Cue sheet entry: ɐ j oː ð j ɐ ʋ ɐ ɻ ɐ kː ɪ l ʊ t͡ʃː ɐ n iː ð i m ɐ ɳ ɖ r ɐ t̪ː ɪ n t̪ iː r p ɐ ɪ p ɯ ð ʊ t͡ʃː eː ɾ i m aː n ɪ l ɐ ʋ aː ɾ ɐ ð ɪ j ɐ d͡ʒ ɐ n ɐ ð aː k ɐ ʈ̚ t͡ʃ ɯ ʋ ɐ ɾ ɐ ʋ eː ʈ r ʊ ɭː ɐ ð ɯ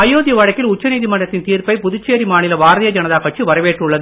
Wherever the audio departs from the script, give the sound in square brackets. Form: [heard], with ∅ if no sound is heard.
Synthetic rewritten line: ɐ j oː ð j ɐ ʋ ɐ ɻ ɐ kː ɪ l ʊ t͡ʃː ɐ n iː ð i m ɐ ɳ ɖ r ɐ t̪ː ɪ n t̪ iː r p ɐ ɪ p [ʊ] ð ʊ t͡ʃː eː ɾ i m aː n ɪ l ɐ ʋ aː ɾ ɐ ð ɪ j ɐ d͡ʒ ɐ n ɐ ð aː k ɐ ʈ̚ t͡ʃ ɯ ʋ ɐ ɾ ɐ ʋ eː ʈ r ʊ ɭː ɐ ð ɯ

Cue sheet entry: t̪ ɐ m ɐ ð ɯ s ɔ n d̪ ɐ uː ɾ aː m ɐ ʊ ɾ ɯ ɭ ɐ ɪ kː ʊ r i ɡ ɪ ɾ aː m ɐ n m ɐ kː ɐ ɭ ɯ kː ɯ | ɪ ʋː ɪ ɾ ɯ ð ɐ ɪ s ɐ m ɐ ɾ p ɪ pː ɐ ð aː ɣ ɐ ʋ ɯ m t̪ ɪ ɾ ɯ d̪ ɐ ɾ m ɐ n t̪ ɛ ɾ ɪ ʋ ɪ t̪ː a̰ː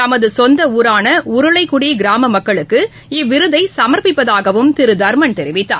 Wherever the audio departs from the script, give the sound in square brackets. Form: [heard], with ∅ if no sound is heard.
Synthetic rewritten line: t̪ ɐ m ɐ ð ɯ s ɔ n d̪ ɐ uː ɾ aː [n] ɐ ʊ ɾ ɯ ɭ ɐ ɪ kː ʊ [ɽ] i ɡ ɪ ɾ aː m ɐ [∅] m ɐ kː ɐ ɭ ɯ kː ɯ | ɪ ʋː ɪ ɾ ɯ ð ɐ ɪ s ɐ m ɐ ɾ p ɪ pː ɐ ð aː ɣ ɐ ʋ ɯ m t̪ ɪ ɾ ɯ d̪ ɐ ɾ m ɐ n t̪ ɛ ɾ ɪ ʋ ɪ t̪ː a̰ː

